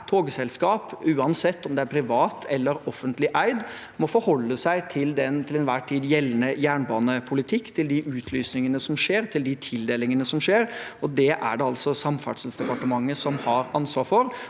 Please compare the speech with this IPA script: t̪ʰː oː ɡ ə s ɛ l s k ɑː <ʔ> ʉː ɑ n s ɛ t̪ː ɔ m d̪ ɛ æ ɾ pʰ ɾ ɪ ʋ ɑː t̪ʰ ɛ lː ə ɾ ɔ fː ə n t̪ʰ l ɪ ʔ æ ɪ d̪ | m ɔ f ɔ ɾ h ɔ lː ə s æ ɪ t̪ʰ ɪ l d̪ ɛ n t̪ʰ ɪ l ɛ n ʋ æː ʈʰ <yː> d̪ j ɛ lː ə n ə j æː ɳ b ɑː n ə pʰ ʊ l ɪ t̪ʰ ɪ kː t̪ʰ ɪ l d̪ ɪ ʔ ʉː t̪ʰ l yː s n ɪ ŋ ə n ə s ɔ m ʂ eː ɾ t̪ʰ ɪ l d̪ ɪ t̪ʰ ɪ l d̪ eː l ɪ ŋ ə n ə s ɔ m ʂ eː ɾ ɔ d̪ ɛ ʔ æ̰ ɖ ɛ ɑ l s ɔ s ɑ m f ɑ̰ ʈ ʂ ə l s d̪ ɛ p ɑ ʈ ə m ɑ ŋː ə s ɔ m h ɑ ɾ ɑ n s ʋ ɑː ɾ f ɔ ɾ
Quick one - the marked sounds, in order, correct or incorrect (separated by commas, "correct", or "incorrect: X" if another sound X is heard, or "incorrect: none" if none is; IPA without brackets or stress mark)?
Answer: incorrect: p, incorrect: iː